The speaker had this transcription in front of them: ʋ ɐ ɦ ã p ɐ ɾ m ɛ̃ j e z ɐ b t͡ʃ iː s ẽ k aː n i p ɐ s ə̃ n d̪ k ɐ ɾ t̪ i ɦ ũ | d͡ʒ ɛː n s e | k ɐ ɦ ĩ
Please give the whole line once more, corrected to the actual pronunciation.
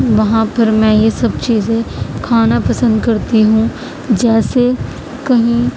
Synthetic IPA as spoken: ʋ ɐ ɦ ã p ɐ ɾ m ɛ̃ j e s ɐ b t͡ʃ iː z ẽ kʰ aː n a p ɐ s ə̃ n d̪ k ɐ ɾ t̪ i ɦ ũ | d͡ʒ ɛː s e | k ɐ ɦ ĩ